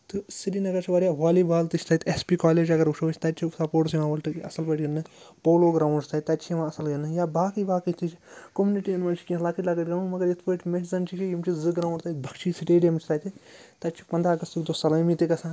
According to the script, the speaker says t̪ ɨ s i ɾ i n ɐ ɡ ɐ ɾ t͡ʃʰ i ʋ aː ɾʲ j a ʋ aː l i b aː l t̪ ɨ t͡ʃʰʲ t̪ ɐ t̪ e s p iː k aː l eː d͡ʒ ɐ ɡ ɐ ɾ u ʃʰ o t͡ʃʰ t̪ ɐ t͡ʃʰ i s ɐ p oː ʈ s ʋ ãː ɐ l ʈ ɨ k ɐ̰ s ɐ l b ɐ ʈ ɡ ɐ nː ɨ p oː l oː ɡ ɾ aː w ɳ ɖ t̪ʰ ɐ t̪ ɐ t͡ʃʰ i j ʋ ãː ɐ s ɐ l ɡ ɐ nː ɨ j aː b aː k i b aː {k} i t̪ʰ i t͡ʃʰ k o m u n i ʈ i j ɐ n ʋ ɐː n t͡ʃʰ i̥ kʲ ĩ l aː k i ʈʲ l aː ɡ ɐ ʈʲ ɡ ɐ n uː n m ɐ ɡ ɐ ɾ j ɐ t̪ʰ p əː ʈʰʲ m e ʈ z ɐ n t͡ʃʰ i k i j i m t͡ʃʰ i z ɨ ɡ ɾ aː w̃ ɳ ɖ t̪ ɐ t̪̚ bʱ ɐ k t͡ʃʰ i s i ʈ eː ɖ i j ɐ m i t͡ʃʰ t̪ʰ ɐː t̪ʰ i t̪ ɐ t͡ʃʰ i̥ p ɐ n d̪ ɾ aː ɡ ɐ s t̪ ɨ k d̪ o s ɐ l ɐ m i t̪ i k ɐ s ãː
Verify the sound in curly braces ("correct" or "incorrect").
correct